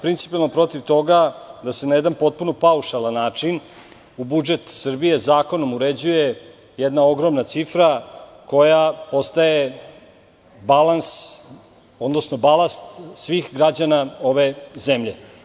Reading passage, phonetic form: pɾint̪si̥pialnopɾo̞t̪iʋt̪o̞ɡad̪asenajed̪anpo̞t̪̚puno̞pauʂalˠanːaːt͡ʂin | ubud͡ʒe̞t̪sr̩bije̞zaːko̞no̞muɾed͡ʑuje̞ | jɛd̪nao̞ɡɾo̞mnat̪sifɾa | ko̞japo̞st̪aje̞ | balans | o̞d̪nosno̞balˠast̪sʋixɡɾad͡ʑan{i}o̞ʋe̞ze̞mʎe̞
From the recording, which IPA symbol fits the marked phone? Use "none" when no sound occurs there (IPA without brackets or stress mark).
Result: a